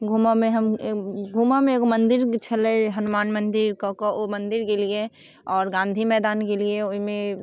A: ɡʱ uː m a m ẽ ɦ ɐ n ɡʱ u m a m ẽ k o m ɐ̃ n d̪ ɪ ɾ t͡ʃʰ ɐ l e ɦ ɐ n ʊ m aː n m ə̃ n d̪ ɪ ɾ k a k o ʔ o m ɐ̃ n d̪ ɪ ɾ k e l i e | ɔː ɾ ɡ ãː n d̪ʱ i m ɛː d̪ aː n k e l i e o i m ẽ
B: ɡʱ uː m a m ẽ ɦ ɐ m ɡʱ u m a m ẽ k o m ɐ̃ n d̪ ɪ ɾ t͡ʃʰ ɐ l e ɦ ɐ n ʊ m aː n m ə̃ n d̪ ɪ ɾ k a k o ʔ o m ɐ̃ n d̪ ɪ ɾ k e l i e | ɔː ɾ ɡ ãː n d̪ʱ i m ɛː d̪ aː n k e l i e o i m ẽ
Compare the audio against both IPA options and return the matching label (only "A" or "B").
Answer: B